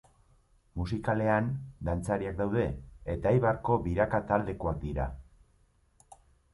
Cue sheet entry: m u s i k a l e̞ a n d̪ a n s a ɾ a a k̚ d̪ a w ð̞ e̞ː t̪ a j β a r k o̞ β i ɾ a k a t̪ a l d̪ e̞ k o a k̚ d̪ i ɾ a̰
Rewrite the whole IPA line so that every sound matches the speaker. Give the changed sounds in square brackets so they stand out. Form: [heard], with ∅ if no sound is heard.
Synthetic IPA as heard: m u s i k a l e̞ a n d̪ a n [t͡s] a ɾ [i] a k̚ d̪ a w ð̞ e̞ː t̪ a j β a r k o̞ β i ɾ a k a t̪ a l d̪ e̞ k o a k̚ d̪ i ɾ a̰

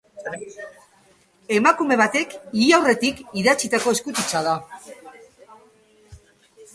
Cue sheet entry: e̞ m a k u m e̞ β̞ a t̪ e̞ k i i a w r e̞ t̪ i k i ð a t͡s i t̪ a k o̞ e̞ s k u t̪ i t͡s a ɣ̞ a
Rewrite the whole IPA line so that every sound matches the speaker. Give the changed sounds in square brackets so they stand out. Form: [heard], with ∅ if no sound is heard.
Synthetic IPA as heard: e̞ m a k u m e̞ β̞ a t̪ e̞ k i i a w r e̞ t̪ i k i ð a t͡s i t̪ a k o̞ e̞ s k u t̪ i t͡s a [ð̞] a

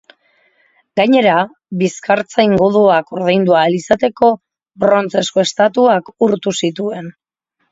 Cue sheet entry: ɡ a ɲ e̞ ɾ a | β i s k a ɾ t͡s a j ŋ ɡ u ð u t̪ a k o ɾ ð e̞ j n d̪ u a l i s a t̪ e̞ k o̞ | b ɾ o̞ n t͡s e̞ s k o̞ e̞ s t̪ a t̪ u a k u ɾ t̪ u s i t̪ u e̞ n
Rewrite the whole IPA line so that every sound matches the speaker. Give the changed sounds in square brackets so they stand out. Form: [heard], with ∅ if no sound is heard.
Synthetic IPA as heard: ɡ a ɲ e̞ ɾ a | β i s k a ɾ t͡s a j ŋ ɡ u ð u [∅] a k o ɾ ð e̞ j n d̪ u a l i s a t̪ e̞ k o̞ | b ɾ o̞ n t͡s e̞ s k o̞ e̞ s t̪ a t̪ u a k u ɾ t̪ u s i t̪ u e̞ n

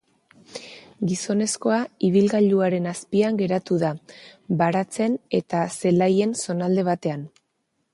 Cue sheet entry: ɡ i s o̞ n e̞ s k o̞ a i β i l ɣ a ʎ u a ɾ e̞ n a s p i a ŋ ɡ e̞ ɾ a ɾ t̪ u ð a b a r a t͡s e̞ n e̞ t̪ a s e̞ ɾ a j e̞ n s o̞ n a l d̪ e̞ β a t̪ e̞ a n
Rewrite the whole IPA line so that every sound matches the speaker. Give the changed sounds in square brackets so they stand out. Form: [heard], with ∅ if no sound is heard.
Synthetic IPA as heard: ɡ i s o̞ n e̞ s k o̞ a i β i l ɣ a ʎ u a ɾ e̞ n a s p i a ŋ ɡ e̞ ɾ a [∅] t̪ u ð a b a [ɾ] a t͡s e̞ n e̞ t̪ a s e̞ [l] a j e̞ n s o̞ n a l d̪ e̞ β a t̪ e̞ a n

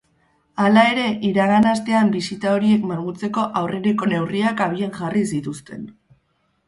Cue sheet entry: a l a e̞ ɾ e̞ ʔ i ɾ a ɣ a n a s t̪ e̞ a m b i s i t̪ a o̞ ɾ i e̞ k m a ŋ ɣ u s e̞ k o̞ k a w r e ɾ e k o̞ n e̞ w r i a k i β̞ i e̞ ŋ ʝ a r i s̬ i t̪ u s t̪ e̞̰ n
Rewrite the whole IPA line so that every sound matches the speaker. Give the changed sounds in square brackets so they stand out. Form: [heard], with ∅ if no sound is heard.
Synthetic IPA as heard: a l a e̞ ɾ e̞ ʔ i ɾ a ɣ a n a s t̪ e̞ a m b i s i t̪ a o̞ ɾ i e̞ k m a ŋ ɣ u [t͡s] e̞ k o̞ [ʔ] a w r e ɾ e k o̞ n e̞ w r i a k [a] β̞ i e̞ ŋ ʝ a r i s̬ i t̪ u s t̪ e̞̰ n

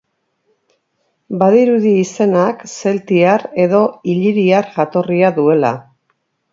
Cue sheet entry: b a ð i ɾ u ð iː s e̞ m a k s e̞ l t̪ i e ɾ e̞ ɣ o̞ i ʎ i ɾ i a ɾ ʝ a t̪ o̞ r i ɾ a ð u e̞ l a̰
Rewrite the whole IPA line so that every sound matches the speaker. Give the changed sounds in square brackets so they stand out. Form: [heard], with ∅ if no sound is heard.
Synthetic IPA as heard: b a ð i ɾ u ð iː s e̞ [n] a k s e̞ l t̪ i [a] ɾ e̞ [ð] o̞ i ʎ i ɾ i a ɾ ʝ a t̪ o̞ r i [∅] a ð u e̞ l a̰

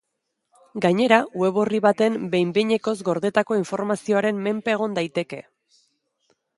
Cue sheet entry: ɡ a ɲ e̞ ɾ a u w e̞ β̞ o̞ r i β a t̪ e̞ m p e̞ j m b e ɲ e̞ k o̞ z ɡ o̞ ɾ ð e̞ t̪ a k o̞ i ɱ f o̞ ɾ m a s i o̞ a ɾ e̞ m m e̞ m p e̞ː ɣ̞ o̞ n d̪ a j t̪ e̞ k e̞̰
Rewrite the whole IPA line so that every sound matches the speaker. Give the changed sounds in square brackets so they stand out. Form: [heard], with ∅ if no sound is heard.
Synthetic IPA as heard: ɡ a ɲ e̞ ɾ a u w e̞ β̞ o̞ r i β a t̪ e̞ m [b] e̞ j m b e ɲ e̞ k o̞ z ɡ o̞ ɾ ð e̞ t̪ a k o̞ i ɱ f o̞ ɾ m a s i o̞ a ɾ e̞ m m e̞ m p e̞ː ɣ̞ o̞ n d̪ a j t̪ e̞ k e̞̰

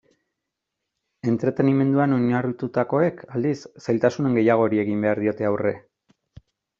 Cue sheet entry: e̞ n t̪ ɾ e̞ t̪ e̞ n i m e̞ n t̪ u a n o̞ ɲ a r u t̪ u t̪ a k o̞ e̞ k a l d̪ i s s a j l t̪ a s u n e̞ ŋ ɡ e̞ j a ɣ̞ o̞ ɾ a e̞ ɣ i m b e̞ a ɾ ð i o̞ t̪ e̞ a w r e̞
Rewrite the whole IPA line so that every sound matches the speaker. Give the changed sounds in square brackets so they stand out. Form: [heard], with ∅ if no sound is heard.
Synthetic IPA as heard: e̞ n t̪ ɾ e̞ t̪ e̞ n i m e̞ n [d̪] u a n o̞ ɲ a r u t̪ u t̪ a k o̞ e̞ k a l d̪ i s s a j l t̪ a s u n e̞ ŋ ɡ e̞ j a ɣ̞ o̞ ɾ [i] e̞ ɣ i m b e̞ a ɾ ð i o̞ t̪ e̞ a w r e̞

